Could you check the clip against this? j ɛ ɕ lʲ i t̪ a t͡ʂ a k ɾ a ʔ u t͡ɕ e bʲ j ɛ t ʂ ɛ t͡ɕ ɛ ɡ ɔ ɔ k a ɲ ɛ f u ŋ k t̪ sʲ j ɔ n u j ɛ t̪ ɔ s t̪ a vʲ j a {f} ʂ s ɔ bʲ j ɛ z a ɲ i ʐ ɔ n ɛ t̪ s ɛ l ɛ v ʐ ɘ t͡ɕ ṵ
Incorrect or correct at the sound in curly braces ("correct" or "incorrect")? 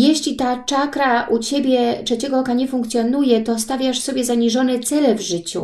incorrect